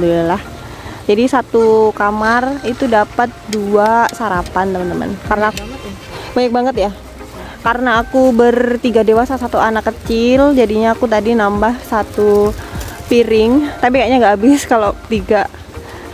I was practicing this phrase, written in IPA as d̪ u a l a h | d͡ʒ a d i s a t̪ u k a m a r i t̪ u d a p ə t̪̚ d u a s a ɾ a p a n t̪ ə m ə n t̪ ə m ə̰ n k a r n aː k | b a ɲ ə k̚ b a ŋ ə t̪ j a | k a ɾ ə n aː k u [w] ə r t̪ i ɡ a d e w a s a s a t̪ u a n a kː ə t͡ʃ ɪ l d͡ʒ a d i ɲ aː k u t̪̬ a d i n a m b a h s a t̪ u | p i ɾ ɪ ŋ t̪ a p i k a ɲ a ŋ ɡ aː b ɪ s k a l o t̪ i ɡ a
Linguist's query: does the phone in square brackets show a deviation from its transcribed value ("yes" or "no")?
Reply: yes